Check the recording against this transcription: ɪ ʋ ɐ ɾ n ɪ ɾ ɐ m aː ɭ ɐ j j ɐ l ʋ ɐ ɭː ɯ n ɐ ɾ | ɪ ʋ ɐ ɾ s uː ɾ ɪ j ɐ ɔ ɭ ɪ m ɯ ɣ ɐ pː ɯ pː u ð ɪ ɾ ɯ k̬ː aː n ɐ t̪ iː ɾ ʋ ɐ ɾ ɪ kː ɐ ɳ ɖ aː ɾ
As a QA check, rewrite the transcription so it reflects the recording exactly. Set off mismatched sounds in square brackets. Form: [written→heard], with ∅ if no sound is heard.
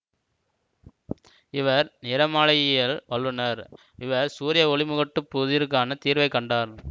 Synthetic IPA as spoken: ɪ ʋ ɐ ɾ n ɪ ɾ ɐ m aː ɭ ɐ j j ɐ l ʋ ɐ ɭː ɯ n ɐ ɾ | ɪ ʋ ɐ ɾ s uː ɾ ɪ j ɐ ɔ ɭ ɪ m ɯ ɣ ɐ [pː→ʈː] ɯ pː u ð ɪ ɾ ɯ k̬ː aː n ɐ t̪ iː ɾ ʋ ɐ [ɾ→∅] ɪ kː ɐ ɳ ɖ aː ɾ